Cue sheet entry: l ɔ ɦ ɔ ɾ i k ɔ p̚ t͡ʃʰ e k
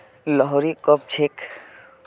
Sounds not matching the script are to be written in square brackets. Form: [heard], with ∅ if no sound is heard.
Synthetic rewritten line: l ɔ ɦ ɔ ɾ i k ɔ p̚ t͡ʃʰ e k